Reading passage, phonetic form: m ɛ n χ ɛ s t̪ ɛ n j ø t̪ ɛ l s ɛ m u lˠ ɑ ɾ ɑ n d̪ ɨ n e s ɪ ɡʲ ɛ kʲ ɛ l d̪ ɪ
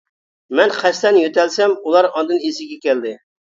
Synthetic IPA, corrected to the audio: m ɛ n χ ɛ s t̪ ɛ n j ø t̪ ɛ l s ɛ m u lˠ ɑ ɾ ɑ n d̪ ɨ n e s ɪ ɡʲ ɛ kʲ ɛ l d̪ ɪ